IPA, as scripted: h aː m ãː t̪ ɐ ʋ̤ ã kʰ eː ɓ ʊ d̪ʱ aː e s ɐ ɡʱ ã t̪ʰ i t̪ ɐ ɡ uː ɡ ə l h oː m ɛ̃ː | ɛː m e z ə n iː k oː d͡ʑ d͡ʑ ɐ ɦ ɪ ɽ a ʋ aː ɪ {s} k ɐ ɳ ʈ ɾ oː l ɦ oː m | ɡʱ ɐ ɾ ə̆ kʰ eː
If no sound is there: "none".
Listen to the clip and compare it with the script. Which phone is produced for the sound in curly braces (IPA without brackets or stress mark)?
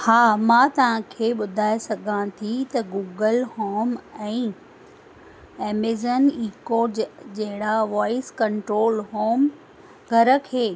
s